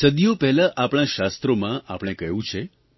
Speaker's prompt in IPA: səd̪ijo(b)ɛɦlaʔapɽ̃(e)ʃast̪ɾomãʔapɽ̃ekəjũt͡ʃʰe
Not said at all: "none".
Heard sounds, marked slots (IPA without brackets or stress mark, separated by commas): p, a